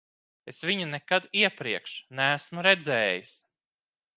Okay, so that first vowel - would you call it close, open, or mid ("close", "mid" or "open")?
mid